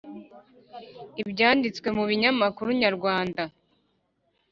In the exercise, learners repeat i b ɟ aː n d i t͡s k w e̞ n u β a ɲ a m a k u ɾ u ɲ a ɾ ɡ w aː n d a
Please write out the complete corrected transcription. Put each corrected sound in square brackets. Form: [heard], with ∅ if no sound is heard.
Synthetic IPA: i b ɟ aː n d i t͡s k w e̞ [m] u β [i] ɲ a m a k u ɾ u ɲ a ɾ ɡ w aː n d a